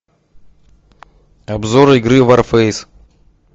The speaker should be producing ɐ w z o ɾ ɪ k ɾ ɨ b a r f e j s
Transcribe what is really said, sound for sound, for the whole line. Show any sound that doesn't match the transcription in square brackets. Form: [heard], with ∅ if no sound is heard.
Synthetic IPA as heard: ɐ [b] z o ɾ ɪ [ɡ] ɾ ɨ [v] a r f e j s